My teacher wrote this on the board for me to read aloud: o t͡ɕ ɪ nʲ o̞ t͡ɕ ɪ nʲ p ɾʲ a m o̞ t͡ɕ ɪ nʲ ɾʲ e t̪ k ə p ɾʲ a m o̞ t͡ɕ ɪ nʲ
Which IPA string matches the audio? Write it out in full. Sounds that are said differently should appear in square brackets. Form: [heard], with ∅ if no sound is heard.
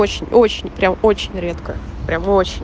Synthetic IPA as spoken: o t͡ɕ ɪ nʲ o̞ t͡ɕ ɪ nʲ p ɾʲ a m o̞ t͡ɕ ɪ nʲ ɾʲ e t̪ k ə p ɾʲ a m o̞ t͡ɕ ɪ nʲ